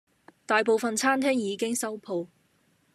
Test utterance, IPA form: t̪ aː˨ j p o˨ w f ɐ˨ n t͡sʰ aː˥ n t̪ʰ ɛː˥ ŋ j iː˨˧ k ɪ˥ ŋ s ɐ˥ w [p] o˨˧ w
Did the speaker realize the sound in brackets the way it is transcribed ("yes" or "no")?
no